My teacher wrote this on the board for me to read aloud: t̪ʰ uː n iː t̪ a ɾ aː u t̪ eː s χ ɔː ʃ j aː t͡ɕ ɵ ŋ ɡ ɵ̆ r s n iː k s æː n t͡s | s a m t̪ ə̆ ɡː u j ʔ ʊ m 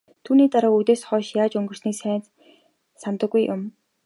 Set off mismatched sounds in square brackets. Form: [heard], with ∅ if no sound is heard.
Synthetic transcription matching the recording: t̪ʰ uː n iː t̪ a ɾ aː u t̪ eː s χ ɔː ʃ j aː t͡ɕ ɵ ŋ ɡ ɵ̆ r s n iː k s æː n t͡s | s a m t̪ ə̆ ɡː u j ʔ ʊ m